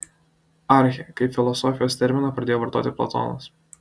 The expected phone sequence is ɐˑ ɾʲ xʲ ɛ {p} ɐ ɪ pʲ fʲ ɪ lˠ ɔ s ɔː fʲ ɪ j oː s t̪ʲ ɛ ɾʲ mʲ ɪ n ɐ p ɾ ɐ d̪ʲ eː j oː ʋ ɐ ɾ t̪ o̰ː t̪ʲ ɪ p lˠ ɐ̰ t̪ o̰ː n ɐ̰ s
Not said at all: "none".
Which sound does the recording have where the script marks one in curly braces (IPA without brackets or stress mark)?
k